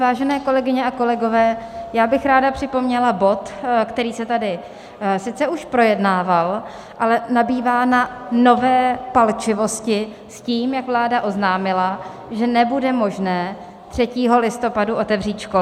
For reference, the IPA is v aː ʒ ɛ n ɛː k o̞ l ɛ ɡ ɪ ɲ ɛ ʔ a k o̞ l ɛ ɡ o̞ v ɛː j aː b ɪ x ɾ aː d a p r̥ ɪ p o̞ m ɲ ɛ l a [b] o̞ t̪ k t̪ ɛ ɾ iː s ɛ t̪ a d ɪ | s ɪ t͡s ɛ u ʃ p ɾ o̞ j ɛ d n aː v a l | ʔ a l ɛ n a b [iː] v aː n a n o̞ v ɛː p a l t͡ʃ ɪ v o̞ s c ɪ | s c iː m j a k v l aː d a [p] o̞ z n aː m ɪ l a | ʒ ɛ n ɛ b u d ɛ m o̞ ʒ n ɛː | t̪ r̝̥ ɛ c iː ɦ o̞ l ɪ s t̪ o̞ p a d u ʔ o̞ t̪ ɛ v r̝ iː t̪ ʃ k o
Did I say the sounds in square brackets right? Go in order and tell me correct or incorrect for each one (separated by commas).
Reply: correct, correct, incorrect